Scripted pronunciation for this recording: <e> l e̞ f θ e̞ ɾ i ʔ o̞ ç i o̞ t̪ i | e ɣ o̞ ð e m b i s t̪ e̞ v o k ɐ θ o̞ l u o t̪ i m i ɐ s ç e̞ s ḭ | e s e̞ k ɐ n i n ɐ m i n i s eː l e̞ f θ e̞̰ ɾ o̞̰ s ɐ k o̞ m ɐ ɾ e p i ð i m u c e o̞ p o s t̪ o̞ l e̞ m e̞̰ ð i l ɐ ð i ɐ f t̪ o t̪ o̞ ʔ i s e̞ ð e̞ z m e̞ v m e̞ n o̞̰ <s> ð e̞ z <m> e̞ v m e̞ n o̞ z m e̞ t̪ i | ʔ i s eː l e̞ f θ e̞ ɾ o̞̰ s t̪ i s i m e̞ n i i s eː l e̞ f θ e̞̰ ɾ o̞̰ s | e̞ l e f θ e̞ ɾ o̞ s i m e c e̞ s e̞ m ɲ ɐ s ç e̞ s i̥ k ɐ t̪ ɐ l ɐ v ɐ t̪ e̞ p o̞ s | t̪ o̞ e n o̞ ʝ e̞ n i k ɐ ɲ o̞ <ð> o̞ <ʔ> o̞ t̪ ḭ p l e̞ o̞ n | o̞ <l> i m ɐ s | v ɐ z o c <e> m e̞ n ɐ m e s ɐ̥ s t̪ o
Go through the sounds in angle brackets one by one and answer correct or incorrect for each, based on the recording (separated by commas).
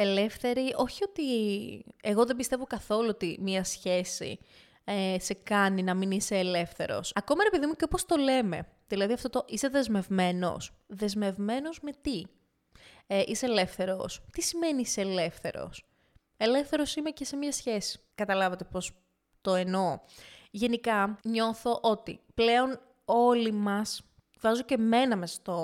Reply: correct, correct, correct, incorrect, correct, correct, correct